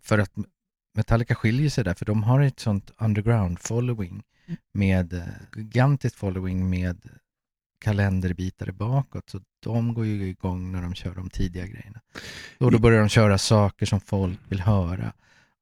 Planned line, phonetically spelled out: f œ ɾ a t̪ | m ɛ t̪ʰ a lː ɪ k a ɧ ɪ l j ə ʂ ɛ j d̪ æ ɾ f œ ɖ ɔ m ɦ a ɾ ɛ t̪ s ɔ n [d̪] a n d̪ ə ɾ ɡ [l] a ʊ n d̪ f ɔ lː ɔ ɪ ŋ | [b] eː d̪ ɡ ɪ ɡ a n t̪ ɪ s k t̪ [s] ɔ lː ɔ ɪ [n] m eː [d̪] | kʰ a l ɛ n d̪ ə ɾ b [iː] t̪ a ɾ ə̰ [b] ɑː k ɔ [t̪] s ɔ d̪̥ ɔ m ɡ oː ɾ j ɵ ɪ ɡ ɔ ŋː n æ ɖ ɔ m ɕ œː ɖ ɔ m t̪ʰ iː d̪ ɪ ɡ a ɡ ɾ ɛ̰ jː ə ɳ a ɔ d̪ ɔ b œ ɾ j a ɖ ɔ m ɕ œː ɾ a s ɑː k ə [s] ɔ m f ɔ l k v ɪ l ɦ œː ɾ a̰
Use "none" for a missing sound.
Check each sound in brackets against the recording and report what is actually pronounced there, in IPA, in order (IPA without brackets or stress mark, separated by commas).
t̪, ɾ, m, f, ŋ, d̪, iː, b, t̪, ʂ